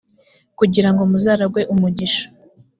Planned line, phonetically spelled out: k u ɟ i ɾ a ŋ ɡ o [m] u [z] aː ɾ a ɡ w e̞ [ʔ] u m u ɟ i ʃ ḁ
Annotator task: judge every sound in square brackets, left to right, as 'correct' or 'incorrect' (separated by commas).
correct, correct, correct